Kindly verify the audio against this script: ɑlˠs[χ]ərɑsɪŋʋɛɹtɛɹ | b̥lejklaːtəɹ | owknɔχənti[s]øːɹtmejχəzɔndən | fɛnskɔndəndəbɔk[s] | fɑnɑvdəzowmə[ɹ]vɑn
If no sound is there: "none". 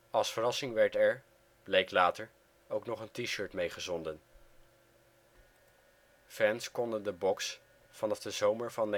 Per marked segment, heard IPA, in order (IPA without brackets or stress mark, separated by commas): f, ʃ, s, ɹ